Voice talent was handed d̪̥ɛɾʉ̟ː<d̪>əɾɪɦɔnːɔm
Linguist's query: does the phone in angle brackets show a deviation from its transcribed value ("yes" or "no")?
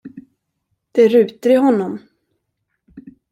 yes